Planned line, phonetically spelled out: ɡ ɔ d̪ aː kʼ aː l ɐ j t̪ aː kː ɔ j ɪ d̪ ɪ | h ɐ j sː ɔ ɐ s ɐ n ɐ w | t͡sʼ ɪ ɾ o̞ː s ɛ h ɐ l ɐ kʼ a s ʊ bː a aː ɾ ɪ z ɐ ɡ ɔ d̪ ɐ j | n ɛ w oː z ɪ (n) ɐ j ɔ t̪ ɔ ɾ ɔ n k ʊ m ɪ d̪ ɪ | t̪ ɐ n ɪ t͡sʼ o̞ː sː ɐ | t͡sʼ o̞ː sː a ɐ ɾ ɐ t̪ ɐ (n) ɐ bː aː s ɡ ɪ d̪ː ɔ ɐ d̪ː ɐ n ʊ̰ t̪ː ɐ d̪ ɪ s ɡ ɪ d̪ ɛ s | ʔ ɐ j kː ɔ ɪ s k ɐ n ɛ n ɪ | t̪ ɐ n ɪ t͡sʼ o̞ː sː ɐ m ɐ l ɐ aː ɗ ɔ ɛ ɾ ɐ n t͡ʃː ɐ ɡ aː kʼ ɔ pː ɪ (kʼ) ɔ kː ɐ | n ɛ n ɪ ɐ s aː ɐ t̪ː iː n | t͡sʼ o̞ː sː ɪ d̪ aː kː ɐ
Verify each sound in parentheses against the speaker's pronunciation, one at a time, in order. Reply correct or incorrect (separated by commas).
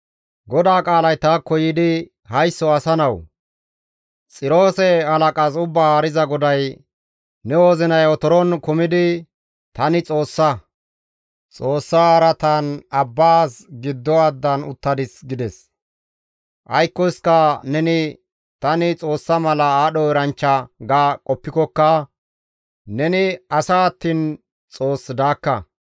correct, correct, incorrect